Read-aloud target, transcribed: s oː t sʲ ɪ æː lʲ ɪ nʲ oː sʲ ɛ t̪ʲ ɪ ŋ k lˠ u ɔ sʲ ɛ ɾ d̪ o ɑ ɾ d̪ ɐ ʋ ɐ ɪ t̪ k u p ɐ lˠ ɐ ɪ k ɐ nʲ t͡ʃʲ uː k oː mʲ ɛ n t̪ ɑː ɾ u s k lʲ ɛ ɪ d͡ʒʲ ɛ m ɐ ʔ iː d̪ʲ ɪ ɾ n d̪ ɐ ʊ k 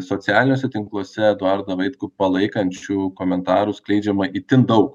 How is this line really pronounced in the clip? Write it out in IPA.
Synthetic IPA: s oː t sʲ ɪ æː lʲ ɪ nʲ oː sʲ ɛ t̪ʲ ɪ ŋ k lˠ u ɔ sʲ ɛ d̪ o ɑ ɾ d̪ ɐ ʋ ɐ ɪ t̪ k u p ɐ lˠ ɐ ɪ k ɐ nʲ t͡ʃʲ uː k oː mʲ ɛ n t̪ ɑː ɾ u s k lʲ ɛ ɪ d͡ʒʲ ɛ m ɐ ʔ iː t̪ʲ ɪ n d̪ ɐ ʊ k